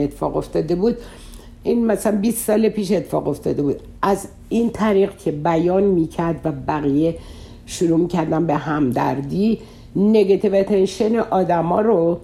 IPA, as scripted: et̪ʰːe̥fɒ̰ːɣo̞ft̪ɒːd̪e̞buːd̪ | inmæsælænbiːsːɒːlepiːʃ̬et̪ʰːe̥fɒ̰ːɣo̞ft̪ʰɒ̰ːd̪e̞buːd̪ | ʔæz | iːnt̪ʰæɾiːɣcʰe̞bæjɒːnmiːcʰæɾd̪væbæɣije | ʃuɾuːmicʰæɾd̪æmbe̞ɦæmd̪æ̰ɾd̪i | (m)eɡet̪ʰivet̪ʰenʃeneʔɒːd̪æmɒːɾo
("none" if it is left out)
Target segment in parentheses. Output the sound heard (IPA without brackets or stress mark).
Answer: n